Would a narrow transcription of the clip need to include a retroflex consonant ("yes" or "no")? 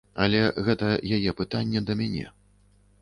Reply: no